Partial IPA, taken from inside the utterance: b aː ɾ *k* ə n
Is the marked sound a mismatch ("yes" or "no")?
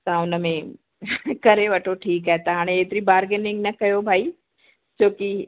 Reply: yes